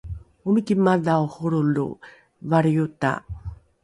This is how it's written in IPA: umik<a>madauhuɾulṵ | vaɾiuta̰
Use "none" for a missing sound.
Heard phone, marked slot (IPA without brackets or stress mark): i